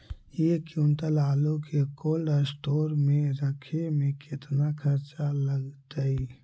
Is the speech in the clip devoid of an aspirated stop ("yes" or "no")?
no